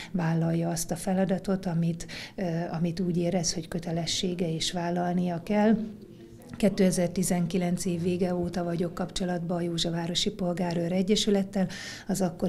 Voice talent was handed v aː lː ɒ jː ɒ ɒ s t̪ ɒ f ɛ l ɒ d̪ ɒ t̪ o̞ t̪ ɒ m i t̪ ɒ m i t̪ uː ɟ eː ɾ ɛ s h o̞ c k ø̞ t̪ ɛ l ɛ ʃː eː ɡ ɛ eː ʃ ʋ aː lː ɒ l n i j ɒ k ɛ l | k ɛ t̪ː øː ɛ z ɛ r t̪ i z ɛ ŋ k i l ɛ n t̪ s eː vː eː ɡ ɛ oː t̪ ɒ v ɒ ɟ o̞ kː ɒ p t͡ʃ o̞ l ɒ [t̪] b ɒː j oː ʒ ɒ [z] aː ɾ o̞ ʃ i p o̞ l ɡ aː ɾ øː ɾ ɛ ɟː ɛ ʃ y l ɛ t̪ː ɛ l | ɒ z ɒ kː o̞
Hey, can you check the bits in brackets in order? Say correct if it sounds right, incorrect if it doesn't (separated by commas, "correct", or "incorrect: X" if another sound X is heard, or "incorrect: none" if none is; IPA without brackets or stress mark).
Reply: incorrect: d̪, incorrect: v